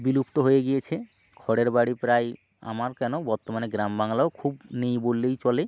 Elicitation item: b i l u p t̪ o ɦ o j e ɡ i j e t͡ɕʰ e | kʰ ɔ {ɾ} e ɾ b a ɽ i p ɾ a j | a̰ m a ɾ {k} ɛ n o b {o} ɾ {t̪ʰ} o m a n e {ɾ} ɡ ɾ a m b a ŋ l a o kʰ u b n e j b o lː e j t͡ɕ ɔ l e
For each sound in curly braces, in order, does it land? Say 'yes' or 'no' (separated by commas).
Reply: no, yes, no, no, no